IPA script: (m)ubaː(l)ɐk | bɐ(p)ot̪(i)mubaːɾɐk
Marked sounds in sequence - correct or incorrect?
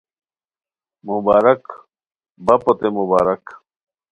correct, incorrect: ɾ, correct, incorrect: e

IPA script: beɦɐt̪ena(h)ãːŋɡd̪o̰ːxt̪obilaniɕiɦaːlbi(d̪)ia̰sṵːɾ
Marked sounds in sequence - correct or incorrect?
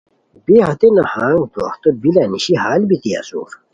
correct, incorrect: t̪

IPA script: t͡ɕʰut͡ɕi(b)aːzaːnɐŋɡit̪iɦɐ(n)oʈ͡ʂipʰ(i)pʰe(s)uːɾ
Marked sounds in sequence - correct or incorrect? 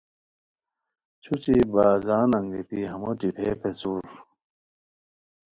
correct, incorrect: m, incorrect: e, correct

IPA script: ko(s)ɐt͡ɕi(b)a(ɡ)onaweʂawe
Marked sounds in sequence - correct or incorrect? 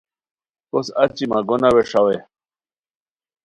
correct, incorrect: m, correct

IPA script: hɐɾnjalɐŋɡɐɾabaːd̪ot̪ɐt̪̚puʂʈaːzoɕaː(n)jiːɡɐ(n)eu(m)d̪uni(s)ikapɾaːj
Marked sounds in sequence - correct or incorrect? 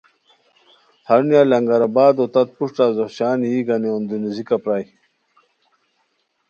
correct, correct, incorrect: n, incorrect: z

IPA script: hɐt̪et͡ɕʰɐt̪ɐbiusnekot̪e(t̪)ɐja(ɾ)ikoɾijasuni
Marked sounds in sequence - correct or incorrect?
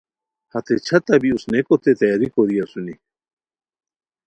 correct, correct

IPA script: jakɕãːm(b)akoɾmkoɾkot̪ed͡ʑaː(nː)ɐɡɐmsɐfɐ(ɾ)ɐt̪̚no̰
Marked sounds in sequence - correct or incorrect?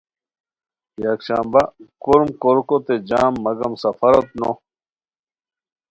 correct, incorrect: mː, correct

